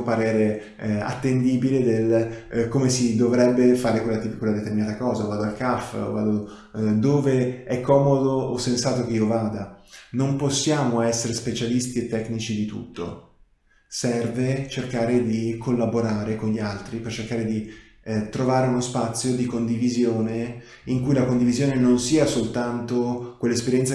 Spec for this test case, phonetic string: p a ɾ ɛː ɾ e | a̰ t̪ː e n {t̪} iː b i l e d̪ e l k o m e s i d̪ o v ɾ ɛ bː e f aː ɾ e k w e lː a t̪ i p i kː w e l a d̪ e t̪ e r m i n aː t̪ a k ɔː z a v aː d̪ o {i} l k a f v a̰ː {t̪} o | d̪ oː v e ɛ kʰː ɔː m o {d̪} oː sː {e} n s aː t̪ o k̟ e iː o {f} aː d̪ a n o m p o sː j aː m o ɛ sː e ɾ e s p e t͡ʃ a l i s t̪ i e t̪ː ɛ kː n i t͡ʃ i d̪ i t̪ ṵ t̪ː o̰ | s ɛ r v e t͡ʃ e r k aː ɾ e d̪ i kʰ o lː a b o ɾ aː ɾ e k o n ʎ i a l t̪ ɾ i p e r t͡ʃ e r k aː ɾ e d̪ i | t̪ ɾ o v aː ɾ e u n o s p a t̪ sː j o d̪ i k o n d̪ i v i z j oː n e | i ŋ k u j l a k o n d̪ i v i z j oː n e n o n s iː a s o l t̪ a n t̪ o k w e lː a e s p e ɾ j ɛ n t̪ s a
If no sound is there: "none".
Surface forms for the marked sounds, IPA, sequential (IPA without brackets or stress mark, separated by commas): d̪, a, d̪, d̪, e, v